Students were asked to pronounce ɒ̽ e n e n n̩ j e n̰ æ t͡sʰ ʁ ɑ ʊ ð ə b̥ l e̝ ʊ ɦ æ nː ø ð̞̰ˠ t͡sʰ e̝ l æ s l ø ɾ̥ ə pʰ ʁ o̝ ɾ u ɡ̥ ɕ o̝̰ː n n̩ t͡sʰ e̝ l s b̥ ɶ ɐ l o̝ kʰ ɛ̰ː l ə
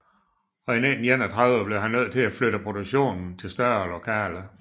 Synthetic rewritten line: ɒ̽ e n e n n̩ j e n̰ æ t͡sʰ ʁ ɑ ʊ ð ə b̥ l e̝ ʊ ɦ æ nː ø ð̞̰ˠ t͡sʰ e̝ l æ f l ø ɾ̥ ə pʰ ʁ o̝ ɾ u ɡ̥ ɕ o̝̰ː n n̩ t͡sʰ e̝ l s d̥ ɶ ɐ l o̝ kʰ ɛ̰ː l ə